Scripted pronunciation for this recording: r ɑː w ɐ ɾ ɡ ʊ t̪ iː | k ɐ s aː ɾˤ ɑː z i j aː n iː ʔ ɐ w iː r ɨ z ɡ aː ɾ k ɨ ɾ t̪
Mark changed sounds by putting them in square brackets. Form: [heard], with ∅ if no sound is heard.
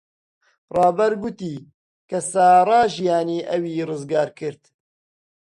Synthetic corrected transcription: r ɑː [b] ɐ ɾ ɡ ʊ t̪ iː | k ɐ s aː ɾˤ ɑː [ʒ] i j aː n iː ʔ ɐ w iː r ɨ z ɡ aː ɾ k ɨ ɾ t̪